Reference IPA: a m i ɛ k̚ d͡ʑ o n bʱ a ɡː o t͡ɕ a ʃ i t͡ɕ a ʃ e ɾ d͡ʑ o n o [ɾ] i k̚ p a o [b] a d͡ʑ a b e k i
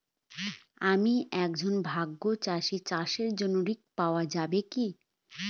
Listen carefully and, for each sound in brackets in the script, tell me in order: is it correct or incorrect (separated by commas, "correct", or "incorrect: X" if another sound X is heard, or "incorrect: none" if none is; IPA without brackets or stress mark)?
correct, incorrect: none